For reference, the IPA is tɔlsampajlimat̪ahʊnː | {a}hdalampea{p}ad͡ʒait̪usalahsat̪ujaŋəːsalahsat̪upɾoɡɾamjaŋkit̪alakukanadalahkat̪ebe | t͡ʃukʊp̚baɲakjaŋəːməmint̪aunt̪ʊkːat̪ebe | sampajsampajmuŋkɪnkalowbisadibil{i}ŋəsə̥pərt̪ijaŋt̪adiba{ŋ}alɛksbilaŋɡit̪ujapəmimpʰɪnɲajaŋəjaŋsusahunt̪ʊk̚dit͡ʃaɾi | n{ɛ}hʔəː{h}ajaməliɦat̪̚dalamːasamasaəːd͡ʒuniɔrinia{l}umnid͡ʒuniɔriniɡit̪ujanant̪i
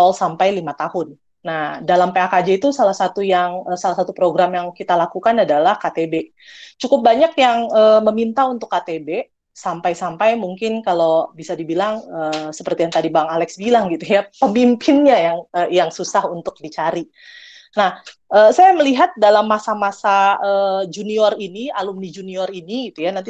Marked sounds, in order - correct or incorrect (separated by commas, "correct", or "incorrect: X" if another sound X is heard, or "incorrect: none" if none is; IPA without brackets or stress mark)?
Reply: correct, incorrect: k, incorrect: a, correct, incorrect: a, incorrect: s, correct